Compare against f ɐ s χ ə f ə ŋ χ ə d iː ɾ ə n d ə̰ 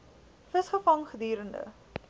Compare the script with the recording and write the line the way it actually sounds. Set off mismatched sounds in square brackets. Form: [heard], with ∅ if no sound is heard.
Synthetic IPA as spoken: f [ə] s χ ə f [ɐ] ŋ χ ə d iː ɾ ə n d ə̰